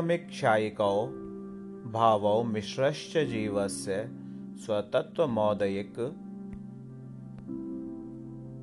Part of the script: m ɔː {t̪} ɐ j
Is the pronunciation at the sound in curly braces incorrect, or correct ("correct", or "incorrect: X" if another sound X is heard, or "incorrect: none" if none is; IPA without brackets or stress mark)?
incorrect: d̪